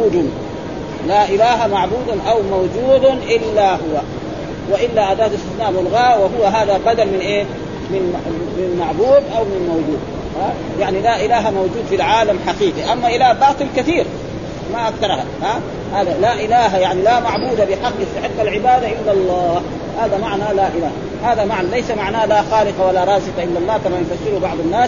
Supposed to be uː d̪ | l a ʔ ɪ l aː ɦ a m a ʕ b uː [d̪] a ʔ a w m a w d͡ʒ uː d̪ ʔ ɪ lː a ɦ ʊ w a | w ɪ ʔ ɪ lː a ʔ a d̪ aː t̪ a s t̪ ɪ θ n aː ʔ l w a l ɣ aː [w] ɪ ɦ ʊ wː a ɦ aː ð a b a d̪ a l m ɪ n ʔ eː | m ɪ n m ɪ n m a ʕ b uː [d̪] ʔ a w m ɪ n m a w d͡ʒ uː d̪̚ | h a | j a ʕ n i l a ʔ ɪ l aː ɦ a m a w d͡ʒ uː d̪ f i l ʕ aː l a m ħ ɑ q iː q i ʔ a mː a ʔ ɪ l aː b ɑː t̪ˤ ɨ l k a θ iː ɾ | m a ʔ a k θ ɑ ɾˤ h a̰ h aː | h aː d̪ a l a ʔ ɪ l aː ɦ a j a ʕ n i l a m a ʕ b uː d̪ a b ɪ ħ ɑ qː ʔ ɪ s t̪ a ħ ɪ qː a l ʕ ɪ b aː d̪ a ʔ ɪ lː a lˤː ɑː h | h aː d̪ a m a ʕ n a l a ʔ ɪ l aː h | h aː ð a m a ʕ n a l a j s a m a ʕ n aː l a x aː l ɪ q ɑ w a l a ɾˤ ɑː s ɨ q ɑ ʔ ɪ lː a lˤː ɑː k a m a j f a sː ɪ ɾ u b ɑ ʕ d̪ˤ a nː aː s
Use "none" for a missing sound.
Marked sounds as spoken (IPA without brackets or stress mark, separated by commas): d̪, w, d̪